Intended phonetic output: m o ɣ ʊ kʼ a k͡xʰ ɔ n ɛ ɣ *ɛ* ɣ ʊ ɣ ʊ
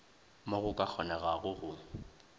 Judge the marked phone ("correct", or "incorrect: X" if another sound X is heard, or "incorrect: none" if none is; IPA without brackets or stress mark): incorrect: a